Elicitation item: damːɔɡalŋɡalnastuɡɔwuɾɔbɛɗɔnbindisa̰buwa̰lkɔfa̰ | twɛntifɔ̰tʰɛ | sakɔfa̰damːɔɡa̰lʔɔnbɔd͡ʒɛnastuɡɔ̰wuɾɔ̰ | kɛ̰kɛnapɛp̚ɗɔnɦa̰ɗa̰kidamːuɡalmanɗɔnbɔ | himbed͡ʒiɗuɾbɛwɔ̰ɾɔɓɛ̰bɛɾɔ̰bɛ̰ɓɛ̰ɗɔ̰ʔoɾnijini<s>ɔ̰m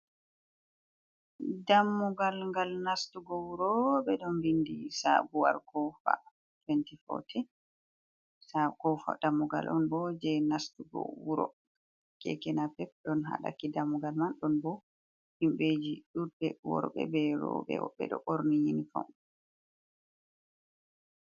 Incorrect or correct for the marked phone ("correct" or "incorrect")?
incorrect